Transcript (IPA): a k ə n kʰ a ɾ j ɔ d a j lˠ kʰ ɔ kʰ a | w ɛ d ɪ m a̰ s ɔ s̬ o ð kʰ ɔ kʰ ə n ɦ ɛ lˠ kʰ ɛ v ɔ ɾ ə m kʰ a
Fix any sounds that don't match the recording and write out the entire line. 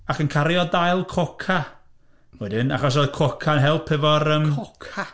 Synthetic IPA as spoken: a k ə n kʰ a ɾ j ɔ d a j lˠ kʰ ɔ kʰ a | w ɛ d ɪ n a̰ χ ɔ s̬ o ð kʰ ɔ kʰ a n ɦ ɛ lˠ pʰ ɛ v ɔ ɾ ə m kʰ a